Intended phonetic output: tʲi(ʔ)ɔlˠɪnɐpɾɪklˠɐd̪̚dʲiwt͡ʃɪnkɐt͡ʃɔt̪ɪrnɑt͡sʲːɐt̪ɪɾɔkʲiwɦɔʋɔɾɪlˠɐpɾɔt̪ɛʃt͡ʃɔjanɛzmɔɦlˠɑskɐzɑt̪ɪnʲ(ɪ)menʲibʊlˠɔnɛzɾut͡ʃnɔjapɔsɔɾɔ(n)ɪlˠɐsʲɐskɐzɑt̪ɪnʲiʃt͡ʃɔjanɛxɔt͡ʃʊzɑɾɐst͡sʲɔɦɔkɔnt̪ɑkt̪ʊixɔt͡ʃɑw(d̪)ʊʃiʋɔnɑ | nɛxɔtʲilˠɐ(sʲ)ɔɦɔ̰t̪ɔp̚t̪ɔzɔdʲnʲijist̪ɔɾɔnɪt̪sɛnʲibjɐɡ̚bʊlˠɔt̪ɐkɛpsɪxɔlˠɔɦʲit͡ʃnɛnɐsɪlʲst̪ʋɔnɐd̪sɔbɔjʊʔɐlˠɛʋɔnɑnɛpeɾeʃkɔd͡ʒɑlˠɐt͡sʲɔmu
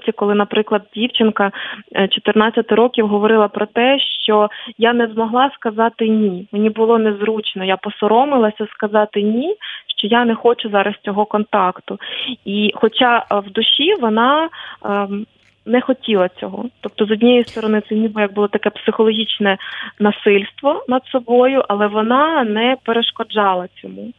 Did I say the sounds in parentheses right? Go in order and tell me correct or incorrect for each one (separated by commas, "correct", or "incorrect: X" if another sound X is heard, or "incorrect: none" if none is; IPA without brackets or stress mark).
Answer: incorrect: k, incorrect: i, incorrect: m, correct, incorrect: t͡sʲ